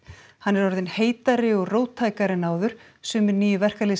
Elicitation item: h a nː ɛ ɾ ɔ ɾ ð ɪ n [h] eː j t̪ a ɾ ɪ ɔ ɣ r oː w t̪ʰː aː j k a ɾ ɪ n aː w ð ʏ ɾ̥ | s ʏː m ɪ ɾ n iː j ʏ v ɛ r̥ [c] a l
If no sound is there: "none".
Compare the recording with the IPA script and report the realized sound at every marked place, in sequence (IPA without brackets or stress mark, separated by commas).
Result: h, k